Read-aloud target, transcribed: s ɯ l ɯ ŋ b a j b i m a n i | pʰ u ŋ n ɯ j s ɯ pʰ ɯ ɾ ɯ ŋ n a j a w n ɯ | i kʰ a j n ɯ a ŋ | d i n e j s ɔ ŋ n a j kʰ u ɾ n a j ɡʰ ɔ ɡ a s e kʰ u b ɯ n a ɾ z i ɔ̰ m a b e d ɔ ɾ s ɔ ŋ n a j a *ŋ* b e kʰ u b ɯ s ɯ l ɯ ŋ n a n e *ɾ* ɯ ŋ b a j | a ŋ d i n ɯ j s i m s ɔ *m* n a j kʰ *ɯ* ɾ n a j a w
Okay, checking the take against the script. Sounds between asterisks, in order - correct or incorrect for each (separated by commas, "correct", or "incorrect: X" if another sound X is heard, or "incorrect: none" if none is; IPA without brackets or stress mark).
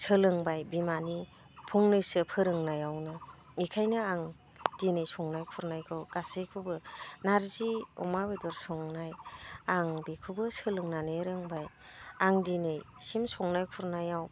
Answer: correct, correct, incorrect: ŋ, incorrect: u